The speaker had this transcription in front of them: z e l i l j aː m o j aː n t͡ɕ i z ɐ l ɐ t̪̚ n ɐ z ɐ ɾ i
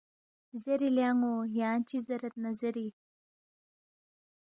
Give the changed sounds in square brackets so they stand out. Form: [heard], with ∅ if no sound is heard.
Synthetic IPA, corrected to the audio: z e [ɾ] i l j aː [ŋ] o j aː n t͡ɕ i z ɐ [ɾ] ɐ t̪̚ n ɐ z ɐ ɾ i

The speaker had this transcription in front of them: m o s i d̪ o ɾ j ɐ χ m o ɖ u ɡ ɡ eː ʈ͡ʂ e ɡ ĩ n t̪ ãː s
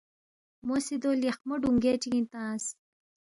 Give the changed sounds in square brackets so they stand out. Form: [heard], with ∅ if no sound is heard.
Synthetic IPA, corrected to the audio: m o s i d̪ o [l] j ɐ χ m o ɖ u [ŋ] ɡ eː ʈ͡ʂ [i] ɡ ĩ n t̪ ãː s

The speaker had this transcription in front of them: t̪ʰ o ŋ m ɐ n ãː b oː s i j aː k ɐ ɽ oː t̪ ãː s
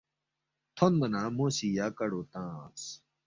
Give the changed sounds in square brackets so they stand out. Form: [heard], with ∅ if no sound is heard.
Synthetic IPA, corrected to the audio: t̪ʰ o [n] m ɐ n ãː [m] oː s i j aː k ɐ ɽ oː t̪ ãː s

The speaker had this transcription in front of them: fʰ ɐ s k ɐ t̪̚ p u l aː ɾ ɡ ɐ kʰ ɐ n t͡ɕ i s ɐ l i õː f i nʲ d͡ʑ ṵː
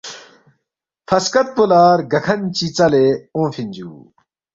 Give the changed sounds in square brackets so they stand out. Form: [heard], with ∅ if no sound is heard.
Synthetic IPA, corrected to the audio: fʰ ɐ s k ɐ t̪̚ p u l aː ɾ ɡ ɐ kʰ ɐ n t͡ɕ i [t͡s] ɐ l [e] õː f i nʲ d͡ʑ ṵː

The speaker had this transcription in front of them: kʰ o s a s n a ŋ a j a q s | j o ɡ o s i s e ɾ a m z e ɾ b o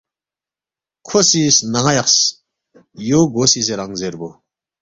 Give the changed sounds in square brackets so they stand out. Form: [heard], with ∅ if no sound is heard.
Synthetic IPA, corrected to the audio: kʰ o s [i] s n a ŋ a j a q s | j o ɡ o s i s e ɾ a [ŋ] z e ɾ b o

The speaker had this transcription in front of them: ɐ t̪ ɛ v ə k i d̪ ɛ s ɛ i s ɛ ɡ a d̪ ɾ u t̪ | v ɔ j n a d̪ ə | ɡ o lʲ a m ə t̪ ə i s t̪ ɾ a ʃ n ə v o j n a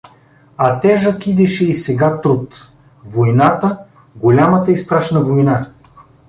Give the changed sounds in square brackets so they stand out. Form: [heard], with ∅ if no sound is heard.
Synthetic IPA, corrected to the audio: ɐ t̪ ɛ [ʒ] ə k i d̪ ɛ [ʃ] ɛ i s ɛ ɡ a [t̪] ɾ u t̪ | v [o] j n a [t̪] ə | ɡ o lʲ a m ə t̪ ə i s t̪ ɾ a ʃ n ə v o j n a

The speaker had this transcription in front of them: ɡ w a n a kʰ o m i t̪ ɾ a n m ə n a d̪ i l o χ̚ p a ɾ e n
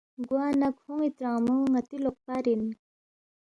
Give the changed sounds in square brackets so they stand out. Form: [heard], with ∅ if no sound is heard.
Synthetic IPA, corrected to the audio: ɡ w a n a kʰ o [ŋ] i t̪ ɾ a [ŋ] m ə [ŋ] a [t̪] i l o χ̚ p a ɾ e n

